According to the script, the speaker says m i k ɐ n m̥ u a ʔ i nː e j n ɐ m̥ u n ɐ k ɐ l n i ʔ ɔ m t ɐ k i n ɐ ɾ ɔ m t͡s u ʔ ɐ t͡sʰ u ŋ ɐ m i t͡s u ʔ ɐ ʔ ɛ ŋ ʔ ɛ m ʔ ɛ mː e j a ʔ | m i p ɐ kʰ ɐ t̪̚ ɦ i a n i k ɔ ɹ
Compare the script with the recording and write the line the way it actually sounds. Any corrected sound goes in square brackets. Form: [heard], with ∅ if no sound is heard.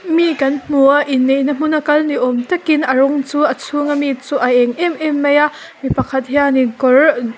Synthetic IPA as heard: m i k ɐ n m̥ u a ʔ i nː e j n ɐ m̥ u n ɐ k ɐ l n i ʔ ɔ m t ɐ k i n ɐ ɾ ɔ [ŋ] t͡s u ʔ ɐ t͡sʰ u ŋ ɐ m i t͡s u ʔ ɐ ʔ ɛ ŋ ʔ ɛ m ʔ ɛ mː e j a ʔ | m i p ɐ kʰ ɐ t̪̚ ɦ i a n i k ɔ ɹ